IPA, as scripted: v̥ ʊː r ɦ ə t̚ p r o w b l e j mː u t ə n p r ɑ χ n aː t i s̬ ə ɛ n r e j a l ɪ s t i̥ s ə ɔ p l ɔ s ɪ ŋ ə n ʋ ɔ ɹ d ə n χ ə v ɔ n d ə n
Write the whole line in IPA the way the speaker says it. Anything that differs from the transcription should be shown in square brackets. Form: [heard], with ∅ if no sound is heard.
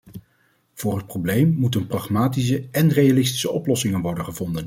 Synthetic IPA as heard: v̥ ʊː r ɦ ə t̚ p r o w b l e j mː u t ə n p r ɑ χ [m] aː t i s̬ ə ɛ n r e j a l ɪ s t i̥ s ə ɔ p l ɔ s ɪ ŋ ə n ʋ ɔ ɹ d ə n χ ə v ɔ n d ə n

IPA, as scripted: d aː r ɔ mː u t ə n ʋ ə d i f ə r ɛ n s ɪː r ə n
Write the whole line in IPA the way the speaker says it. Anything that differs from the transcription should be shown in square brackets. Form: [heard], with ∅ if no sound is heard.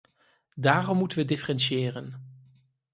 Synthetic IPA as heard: d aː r ɔ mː u t ə n ʋ ə d [ɪ] f ə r ɛ n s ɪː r ə n

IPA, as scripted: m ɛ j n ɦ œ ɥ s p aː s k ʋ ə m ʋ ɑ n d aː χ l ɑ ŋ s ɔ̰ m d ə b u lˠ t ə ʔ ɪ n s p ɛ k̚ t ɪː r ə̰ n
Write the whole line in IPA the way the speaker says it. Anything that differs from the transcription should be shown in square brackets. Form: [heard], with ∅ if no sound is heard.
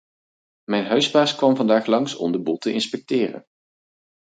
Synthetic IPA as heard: m ɛ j n ɦ œ ɥ s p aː s k ʋ [ɑ] m [v] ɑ n d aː χ l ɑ ŋ s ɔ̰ m d ə b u lˠ t ə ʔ ɪ n s p ɛ k̚ t ɪː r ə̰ n

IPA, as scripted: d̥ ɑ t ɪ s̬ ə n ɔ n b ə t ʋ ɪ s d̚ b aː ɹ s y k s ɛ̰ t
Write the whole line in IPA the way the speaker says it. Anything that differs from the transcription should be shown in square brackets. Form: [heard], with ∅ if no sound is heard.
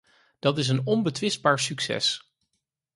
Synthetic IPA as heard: d̥ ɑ t ɪ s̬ ə n ɔ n b ə t ʋ ɪ s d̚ b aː ɹ s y k s ɛ̰ [s]

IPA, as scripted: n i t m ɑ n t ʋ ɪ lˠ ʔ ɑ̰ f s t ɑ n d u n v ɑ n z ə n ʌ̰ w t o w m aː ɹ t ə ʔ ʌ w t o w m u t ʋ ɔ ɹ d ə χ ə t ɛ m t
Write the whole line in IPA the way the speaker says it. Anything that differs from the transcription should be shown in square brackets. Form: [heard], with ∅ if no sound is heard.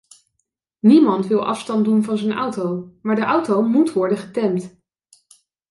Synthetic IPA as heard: n i [∅] m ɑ n t ʋ ɪ lˠ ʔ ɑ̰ f s t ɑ n d u n v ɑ n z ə n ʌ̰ w t o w m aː ɹ [d] ə ʔ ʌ w t o w m u t ʋ ɔ ɹ d ə χ ə t ɛ m t

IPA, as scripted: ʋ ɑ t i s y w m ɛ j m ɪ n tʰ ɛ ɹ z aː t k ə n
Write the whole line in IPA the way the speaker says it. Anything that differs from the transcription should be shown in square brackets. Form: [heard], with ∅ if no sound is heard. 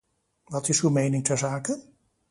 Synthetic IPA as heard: ʋ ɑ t [ɪ] s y w m [e] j [n] ɪ [ŋ] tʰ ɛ ɹ z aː [∅] k ə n

